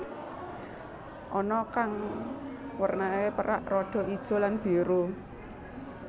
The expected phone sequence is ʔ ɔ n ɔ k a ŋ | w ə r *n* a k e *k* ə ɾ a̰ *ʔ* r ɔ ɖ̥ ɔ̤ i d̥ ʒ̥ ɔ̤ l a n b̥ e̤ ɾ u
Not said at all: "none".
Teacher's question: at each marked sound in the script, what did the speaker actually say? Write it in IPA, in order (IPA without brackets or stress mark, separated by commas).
n, p, ʔ